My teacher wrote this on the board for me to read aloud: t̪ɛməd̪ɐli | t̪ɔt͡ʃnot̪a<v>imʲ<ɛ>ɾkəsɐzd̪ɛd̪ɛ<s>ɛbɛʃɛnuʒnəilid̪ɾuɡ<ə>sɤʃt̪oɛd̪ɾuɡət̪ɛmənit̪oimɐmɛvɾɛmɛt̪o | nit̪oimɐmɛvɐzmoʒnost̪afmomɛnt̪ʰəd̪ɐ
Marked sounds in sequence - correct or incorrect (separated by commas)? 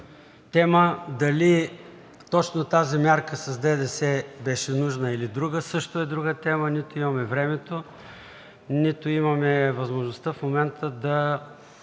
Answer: incorrect, incorrect, correct, correct